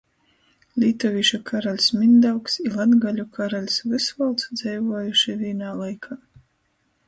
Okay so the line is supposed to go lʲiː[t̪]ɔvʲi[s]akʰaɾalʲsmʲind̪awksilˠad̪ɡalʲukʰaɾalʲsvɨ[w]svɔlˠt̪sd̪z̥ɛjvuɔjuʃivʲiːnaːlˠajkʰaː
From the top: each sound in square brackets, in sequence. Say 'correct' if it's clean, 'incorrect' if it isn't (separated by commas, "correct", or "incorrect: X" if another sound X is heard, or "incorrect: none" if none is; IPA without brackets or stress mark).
correct, incorrect: ʃ, incorrect: none